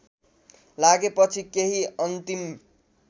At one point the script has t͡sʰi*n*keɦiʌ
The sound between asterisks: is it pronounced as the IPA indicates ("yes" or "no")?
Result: no